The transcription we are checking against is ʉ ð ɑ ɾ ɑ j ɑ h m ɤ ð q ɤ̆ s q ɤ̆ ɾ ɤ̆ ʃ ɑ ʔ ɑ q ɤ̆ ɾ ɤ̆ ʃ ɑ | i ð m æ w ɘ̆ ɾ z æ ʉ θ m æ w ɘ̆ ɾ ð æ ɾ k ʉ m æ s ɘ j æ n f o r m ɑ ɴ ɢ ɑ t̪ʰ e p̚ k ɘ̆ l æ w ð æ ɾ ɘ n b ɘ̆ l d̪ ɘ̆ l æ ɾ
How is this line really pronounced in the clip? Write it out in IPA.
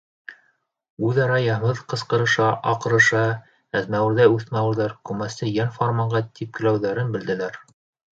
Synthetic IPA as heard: ʉ ð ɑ ɾ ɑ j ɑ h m ɤ ð q ɤ̆ s q ɤ̆ ɾ ɤ̆ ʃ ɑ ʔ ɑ q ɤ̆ ɾ ɤ̆ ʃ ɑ | æ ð m æ w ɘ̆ ɾ ð æ ʉ θ m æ w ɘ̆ ɾ ð æ ɾ k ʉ m æ s ɘ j æ n f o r m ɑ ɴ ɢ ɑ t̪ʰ i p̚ k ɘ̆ l æ w ð æ ɾ ɘ n b ɘ̆ l d̪ ɘ̆ l æ ɾ